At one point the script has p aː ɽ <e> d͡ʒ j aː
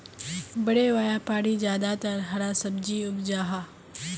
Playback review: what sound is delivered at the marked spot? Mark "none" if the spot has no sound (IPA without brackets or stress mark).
i